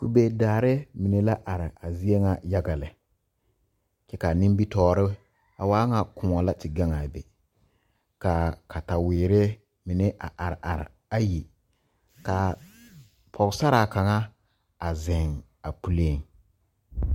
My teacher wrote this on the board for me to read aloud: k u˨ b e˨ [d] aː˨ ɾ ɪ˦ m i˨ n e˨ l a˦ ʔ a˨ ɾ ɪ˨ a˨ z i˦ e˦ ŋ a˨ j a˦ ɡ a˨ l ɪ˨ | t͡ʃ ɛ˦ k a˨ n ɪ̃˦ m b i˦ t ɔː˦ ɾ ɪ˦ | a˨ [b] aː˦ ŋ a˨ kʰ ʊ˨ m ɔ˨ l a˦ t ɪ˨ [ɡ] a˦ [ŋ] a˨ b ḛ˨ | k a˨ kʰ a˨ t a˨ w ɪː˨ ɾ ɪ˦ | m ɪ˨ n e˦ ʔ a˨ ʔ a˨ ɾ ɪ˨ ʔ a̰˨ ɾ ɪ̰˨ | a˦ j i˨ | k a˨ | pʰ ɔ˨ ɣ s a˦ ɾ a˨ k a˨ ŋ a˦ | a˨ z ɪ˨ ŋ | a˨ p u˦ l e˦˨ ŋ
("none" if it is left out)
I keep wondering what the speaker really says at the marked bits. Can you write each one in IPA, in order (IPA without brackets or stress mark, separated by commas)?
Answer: d, w, ɡ, ŋ